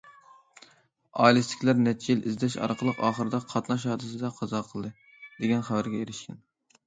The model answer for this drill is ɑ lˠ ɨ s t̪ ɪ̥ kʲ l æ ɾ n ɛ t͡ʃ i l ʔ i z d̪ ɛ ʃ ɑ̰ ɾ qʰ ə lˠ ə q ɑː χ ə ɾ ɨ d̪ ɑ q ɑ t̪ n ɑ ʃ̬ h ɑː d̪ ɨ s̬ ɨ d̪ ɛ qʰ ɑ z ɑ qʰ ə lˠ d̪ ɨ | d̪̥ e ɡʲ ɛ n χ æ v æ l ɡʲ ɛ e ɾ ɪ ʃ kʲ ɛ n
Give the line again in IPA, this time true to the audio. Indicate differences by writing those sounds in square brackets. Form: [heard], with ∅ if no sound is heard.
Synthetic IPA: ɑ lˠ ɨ s t̪ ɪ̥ kʲ l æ ɾ n ɛ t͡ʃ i l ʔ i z d̪ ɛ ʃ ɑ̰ ɾ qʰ ə lˠ ə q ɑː χ ə ɾ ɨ d̪ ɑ [qʰ] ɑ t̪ n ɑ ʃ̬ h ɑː d̪ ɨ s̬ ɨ d̪ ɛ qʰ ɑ z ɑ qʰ ə lˠ d̪ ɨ | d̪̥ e ɡʲ ɛ n χ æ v æ [ɾ] ɡʲ ɛ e ɾ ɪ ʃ kʲ ɛ n